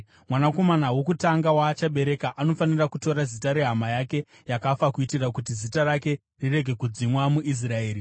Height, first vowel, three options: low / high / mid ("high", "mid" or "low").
low